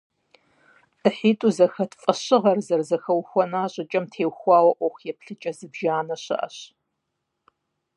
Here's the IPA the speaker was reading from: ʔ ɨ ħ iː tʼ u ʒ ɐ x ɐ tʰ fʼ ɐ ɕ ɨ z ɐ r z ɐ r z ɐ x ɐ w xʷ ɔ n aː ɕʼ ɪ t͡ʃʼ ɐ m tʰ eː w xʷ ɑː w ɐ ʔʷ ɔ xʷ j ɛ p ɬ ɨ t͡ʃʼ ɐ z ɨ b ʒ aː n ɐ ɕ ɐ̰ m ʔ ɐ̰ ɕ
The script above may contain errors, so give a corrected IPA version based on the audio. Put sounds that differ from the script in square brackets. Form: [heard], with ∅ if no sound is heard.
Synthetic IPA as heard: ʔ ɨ ħ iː tʼ u [z] ɐ x ɐ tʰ fʼ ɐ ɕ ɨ [ʁ] ɐ r z ɐ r z ɐ x ɐ w xʷ ɔ n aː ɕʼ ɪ t͡ʃʼ ɐ m tʰ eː w xʷ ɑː w ɐ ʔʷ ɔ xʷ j ɛ p ɬ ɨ t͡ʃʼ ɐ z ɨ b ʒ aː n ɐ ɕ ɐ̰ [∅] ʔ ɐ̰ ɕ